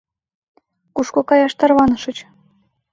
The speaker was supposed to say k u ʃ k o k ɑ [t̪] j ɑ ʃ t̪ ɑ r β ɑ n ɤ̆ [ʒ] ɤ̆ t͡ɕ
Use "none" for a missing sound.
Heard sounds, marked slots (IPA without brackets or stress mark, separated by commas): none, ʃ